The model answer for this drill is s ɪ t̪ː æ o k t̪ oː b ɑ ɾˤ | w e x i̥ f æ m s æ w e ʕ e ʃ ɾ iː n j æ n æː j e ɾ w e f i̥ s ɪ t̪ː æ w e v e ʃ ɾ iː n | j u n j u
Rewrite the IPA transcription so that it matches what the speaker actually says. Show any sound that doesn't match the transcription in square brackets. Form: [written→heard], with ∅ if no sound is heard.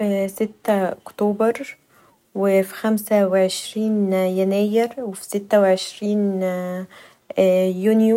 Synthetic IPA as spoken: s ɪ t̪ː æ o k t̪ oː b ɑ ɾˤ | w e [x→f] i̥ [f→x] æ m s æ w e ʕ e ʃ ɾ iː n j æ n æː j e ɾ w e f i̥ s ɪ t̪ː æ w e [v→ʕ] e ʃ ɾ iː n | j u n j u